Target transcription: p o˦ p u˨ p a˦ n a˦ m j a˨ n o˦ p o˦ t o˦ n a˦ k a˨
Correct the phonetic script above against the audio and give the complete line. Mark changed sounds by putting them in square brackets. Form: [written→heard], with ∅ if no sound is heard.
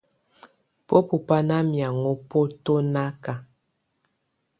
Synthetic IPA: p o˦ p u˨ p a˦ n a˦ m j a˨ [n→ŋ] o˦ p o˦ t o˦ n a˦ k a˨